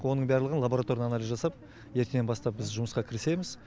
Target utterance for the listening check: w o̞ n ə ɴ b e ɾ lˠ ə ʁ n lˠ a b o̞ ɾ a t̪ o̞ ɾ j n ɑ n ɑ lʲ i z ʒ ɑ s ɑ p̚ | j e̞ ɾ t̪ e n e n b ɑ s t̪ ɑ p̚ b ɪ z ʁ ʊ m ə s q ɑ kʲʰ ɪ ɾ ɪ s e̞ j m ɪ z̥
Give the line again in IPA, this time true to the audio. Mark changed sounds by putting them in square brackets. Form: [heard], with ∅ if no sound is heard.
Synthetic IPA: w o̞ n ə ɴ b [æ] ɾ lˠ ə ʁ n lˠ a b o̞ ɾ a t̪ o̞ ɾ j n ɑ n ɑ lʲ i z ʒ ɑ s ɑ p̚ | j e̞ ɾ t̪ e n e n b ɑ s t̪ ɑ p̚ b ɪ z [ʒ] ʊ m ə s q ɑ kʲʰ ɪ ɾ ɪ s e̞ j m ɪ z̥